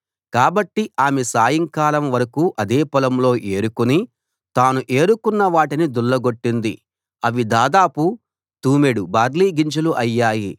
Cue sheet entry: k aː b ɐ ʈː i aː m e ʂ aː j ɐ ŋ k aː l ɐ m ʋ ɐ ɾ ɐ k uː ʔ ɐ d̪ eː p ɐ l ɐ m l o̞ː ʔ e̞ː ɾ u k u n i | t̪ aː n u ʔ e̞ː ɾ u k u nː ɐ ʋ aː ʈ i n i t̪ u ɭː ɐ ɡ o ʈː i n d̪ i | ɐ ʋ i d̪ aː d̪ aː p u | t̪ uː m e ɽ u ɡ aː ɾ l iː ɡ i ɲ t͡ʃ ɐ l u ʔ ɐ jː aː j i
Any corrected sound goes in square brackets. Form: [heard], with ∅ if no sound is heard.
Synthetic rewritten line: k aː b ɐ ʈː i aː m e [s] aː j ɐ ŋ k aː l ɐ m ʋ ɐ ɾ ɐ k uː ʔ ɐ d̪ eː p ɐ l ɐ m l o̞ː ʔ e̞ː ɾ u k u n i | t̪ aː n u ʔ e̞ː ɾ u k u nː ɐ ʋ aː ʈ i n i [d̪] u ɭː ɐ ɡ o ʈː i n d̪ i | ɐ ʋ i d̪ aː d̪ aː p u | t̪ uː m e ɽ u [b] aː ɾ l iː ɡ i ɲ t͡ʃ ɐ l u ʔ ɐ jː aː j i